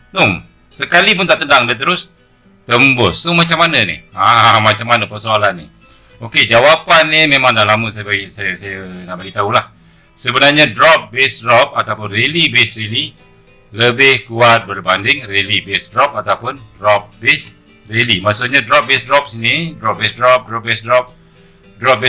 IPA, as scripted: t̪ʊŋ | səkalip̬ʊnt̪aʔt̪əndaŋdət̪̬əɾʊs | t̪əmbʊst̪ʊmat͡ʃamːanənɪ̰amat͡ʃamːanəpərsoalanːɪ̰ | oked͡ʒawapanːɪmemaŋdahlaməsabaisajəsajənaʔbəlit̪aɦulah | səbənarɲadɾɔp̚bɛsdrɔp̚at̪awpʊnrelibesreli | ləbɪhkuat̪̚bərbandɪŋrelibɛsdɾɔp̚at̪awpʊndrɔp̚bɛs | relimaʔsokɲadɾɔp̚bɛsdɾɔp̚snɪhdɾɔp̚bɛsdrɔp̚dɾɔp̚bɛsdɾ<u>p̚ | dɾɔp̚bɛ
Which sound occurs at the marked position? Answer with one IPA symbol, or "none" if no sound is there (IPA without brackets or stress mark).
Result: ɔ